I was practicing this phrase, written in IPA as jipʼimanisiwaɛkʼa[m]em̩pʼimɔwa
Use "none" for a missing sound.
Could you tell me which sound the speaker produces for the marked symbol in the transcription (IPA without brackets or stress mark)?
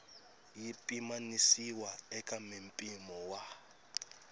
m